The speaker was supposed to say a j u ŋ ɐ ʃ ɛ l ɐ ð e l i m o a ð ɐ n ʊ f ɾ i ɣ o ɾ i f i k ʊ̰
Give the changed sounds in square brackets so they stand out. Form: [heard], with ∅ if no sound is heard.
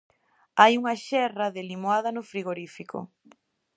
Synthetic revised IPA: a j u ŋ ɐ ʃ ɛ [r] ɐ ð e l i m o a ð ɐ n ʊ f ɾ i ɣ o ɾ i f i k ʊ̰